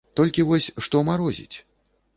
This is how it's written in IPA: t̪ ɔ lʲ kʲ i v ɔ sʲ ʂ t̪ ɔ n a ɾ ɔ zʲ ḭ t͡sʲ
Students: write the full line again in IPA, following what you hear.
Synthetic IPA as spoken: t̪ ɔ lʲ kʲ i v ɔ sʲ ʂ t̪ ɔ m a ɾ ɔ zʲ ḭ t͡sʲ